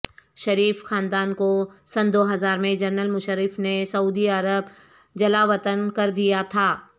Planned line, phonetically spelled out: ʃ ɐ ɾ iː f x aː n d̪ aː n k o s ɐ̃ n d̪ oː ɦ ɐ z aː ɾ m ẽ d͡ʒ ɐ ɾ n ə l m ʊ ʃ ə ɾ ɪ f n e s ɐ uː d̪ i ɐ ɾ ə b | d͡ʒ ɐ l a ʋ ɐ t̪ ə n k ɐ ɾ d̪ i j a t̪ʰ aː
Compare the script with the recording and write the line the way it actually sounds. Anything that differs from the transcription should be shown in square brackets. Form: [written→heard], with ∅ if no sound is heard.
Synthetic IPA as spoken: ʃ ɐ ɾ iː f x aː n d̪ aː n k o s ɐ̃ n d̪ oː ɦ ɐ z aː ɾ m ẽ d͡ʒ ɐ ɾ n ə l m ʊ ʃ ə ɾ ɪ f n e s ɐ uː d̪ i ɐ ɾ ə b | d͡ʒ ɐ l a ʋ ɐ t̪ ə n k ɐ ɾ d̪ i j a t̪ʰ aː

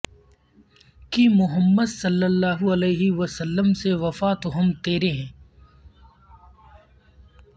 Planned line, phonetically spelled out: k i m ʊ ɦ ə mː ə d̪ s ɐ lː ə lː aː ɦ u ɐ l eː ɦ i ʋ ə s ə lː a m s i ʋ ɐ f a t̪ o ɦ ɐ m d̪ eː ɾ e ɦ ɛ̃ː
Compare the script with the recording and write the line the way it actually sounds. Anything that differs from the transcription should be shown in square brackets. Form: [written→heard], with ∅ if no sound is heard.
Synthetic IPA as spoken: k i m ʊ ɦ ə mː ə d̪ s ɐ lː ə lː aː ɦ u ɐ l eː ɦ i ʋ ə s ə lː [a→ə] m s [i→e] ʋ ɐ f a t̪ o ɦ ɐ m [d̪→t̪] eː ɾ e ɦ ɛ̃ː

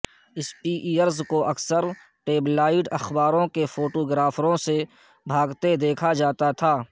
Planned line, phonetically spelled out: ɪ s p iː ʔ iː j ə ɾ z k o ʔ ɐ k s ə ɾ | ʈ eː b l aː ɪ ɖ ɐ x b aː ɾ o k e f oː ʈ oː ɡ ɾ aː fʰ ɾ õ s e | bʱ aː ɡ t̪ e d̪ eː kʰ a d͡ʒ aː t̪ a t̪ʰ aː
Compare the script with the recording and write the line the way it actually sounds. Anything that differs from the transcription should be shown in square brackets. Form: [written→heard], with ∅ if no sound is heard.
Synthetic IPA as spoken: ɪ s p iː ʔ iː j ə ɾ z k o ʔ ɐ k s ə ɾ | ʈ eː b l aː ɪ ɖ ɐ x b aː ɾ [o→õ] k e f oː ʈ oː ɡ ɾ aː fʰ ɾ õ s e | bʱ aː ɡ t̪ e d̪ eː kʰ a d͡ʒ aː t̪ a t̪ʰ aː

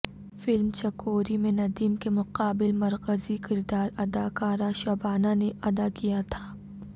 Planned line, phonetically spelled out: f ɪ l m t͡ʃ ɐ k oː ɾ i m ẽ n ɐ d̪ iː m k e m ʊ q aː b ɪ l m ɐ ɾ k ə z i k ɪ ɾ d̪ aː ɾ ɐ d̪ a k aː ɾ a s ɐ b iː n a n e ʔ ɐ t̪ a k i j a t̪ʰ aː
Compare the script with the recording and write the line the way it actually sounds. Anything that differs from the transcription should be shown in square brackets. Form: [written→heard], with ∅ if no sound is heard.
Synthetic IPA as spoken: f ɪ l m t͡ʃ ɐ k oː ɾ i m ẽ n ɐ d̪ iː m k e m ʊ q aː b ɪ l m ɐ ɾ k ə z i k ɪ ɾ d̪ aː ɾ ɐ d̪ a k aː ɾ a [s→ʃ] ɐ b [iː→aː] n a n e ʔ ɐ [t̪→d̪] a k i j a t̪ʰ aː

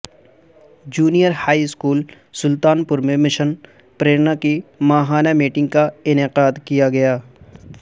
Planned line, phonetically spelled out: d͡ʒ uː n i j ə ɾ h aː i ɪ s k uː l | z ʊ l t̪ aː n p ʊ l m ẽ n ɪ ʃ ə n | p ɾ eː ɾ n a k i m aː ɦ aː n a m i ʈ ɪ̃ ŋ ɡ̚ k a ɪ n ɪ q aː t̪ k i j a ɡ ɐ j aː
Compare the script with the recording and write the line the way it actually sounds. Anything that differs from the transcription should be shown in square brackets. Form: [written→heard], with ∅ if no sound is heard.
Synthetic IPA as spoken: d͡ʒ uː n i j ə ɾ h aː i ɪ s k uː l | [z→s] ʊ l t̪ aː n p ʊ [l→ɾ] m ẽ [n→m] ɪ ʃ ə n | p ɾ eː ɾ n a k i m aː ɦ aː n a m [i→iː] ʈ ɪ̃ ŋ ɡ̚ k a ɪ n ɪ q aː [t̪→d̪] k i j a ɡ ɐ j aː

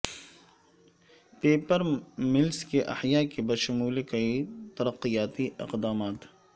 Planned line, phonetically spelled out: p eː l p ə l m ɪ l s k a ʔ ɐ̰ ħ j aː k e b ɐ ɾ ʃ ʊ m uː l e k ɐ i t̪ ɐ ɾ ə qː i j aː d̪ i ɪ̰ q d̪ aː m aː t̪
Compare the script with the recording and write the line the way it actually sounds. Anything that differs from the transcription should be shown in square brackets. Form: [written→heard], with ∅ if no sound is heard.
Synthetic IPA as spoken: p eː [l→∅] p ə [l→ɾ] m ɪ l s k [a→e] ʔ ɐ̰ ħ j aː k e b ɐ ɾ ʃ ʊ m uː l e k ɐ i t̪ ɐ ɾ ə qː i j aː [d̪→t̪] i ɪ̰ q d̪ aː m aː t̪

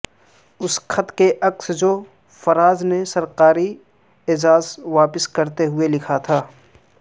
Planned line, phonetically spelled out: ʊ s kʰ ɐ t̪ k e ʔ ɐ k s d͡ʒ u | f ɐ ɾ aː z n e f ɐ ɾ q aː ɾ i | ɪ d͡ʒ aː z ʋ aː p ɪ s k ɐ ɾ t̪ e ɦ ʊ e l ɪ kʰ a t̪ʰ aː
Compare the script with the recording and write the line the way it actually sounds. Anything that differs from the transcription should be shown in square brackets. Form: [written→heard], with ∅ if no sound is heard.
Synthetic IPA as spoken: ʊ s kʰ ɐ t̪ k e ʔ ɐ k s d͡ʒ [u→o] | f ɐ ɾ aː z n e [f→s] ɐ ɾ q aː ɾ i | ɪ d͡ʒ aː z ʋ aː p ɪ s k ɐ ɾ t̪ e ɦ ʊ e l ɪ kʰ a t̪ʰ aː

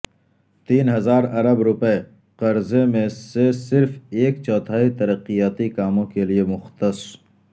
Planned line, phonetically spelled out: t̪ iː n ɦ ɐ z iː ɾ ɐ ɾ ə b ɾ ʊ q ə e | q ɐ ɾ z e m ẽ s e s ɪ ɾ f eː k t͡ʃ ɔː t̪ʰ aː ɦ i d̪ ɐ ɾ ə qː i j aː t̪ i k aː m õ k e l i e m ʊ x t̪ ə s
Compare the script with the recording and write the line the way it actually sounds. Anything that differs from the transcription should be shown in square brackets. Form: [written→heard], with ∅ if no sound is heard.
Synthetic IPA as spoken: t̪ iː n ɦ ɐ z [iː→aː] ɾ ɐ ɾ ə b ɾ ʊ [q→p] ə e | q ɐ ɾ z e m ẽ s e s ɪ ɾ f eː k t͡ʃ ɔː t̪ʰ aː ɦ i [d̪→t̪] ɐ ɾ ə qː i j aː t̪ i k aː m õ k e l i e m ʊ x t̪ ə s

